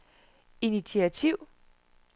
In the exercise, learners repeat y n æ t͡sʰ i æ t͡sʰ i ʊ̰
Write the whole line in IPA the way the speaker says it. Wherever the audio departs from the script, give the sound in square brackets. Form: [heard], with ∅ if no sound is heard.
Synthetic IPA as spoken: [i] n [i] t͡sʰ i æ t͡sʰ i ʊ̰